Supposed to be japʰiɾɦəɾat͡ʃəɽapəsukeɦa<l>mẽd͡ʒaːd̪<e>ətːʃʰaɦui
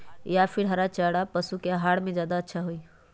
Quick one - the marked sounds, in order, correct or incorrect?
incorrect: ɽ, incorrect: a

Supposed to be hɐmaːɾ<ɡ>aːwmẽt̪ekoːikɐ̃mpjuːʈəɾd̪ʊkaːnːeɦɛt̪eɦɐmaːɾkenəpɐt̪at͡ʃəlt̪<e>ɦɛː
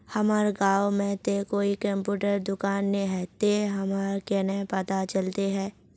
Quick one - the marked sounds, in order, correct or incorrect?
correct, correct

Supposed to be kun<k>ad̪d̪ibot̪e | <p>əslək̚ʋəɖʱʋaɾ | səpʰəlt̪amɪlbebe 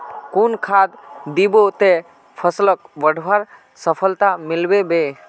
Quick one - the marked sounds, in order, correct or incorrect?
incorrect: kʰ, incorrect: pʰ

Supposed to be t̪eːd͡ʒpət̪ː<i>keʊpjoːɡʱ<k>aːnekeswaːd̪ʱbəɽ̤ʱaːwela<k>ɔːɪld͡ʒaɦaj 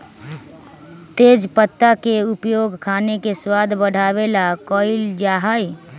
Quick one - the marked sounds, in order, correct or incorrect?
incorrect: a, incorrect: kʰ, correct

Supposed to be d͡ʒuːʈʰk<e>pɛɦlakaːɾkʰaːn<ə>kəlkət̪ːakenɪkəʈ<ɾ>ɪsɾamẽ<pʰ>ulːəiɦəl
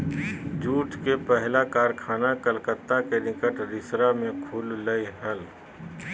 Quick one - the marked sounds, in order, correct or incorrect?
correct, incorrect: a, correct, incorrect: kʰ

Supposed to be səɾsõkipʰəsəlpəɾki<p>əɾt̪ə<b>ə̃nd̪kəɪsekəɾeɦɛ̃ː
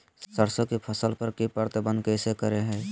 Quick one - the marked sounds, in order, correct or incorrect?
correct, correct

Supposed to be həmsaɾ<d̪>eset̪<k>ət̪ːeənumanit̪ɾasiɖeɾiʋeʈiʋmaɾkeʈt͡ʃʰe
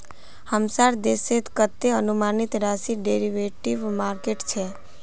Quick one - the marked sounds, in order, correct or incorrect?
correct, correct

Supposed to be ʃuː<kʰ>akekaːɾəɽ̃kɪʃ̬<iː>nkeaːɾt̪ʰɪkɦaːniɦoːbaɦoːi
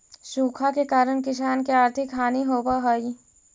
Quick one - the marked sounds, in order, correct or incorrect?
correct, incorrect: aː

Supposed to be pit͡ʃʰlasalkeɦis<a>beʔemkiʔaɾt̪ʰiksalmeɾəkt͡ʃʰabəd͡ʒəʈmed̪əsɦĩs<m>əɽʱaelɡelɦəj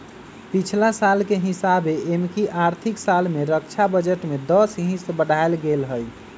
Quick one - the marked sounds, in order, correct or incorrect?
correct, incorrect: b

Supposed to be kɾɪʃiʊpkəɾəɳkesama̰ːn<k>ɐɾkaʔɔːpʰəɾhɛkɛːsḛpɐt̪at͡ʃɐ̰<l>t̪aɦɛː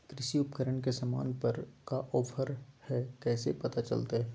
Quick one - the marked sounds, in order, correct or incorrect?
incorrect: p, correct

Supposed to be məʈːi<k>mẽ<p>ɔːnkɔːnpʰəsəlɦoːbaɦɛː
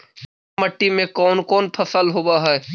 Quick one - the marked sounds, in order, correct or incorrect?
incorrect: none, incorrect: k

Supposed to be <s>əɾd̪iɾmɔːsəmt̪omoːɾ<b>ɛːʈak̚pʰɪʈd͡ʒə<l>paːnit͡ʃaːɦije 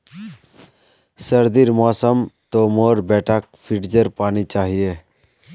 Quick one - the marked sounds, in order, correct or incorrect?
correct, correct, incorrect: ɾ

